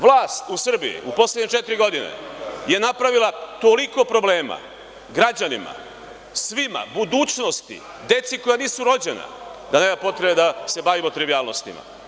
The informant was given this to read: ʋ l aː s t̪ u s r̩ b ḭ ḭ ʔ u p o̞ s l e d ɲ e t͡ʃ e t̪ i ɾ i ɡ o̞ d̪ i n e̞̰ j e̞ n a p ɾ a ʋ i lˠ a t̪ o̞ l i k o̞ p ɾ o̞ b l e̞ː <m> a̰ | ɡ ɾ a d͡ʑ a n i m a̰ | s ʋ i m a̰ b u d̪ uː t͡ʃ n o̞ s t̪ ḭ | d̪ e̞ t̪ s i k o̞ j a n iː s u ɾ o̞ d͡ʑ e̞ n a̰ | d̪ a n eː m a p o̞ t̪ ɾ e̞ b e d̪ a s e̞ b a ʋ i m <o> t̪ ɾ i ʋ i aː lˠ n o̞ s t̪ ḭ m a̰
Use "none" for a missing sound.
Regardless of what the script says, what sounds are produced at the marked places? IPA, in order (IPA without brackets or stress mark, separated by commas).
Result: m, o